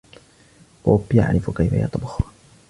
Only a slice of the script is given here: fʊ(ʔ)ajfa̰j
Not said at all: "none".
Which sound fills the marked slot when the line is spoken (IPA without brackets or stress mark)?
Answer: k